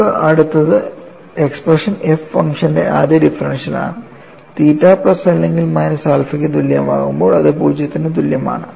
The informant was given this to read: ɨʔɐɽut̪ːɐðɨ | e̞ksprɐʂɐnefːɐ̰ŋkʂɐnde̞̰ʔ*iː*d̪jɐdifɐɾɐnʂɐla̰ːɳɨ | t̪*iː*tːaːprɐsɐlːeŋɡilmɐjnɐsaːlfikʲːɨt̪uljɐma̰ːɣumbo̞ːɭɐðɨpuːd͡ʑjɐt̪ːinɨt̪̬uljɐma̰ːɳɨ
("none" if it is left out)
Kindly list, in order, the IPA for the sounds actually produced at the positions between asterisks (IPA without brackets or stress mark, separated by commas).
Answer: aː, iː